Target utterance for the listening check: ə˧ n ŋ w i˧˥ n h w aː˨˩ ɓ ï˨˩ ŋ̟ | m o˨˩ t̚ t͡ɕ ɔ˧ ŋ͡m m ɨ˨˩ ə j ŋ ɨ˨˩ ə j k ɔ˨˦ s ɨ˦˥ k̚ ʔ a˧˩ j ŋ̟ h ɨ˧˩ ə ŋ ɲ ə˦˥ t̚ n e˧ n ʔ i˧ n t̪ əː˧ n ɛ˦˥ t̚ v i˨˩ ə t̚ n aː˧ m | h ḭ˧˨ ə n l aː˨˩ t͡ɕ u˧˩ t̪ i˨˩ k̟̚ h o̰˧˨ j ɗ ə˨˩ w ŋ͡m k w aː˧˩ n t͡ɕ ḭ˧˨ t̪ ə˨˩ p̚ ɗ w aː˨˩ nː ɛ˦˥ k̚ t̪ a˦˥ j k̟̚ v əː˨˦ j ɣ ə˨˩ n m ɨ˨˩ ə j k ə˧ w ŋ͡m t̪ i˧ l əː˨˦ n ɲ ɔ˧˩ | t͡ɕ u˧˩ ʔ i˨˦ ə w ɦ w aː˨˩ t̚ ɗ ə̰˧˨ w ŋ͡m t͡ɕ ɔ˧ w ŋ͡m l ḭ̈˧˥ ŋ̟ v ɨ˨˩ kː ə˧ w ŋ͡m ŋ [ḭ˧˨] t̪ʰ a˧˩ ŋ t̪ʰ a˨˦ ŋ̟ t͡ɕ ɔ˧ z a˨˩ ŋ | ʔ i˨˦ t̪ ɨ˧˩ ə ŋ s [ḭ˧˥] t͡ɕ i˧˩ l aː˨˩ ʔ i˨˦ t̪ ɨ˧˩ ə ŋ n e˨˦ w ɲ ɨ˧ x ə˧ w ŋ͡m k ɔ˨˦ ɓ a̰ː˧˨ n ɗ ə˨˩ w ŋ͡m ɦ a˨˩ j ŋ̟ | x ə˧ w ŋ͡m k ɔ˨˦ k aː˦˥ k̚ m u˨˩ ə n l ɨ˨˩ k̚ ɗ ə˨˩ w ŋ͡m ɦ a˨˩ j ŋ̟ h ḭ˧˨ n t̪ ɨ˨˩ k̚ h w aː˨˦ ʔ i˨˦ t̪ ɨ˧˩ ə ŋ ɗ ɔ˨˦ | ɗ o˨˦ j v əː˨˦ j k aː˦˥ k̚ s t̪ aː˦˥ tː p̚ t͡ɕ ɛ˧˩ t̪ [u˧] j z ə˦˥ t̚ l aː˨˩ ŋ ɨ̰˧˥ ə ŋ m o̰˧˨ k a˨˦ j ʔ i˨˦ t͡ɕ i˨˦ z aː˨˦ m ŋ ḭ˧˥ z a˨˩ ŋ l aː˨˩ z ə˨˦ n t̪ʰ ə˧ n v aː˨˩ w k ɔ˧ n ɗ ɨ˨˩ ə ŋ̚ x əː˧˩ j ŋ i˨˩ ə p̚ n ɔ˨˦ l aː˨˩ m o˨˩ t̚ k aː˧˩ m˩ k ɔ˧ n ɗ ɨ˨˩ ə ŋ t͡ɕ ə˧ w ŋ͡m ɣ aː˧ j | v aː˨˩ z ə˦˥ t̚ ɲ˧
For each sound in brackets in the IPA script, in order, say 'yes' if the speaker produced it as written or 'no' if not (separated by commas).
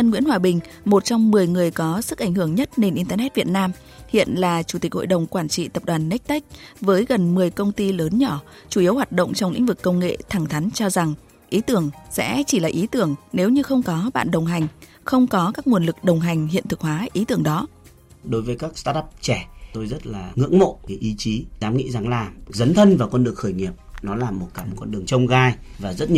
no, no, no